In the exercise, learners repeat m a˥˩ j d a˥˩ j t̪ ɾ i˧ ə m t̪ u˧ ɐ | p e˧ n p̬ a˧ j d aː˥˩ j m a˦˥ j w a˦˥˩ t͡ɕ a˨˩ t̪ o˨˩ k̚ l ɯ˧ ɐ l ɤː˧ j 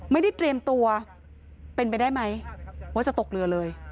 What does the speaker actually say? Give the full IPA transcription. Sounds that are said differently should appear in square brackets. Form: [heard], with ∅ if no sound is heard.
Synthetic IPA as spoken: m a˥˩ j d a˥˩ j t̪ ɾ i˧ ə m t̪ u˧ ɐ | p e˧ n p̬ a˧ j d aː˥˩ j m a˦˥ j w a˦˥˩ t͡ɕ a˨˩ t̪ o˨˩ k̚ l ɯ˧ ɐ l ɤː˧ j